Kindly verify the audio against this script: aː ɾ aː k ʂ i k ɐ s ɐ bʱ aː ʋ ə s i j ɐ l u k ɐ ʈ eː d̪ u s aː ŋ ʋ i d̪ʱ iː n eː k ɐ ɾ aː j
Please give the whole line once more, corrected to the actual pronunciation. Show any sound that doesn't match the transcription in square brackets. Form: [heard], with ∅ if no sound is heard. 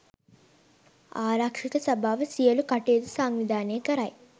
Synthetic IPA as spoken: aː ɾ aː k ʂ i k ɐ s ɐ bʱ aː ʋ [ɐ] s i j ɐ l u k ɐ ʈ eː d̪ u s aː ŋ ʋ i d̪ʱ [aː] n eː k ɐ ɾ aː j